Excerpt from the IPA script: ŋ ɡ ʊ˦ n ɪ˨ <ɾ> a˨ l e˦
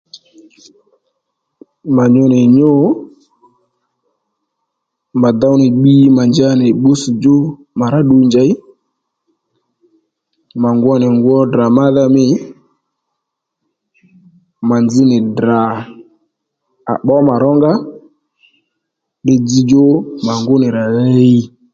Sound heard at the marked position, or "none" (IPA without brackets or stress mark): ɾ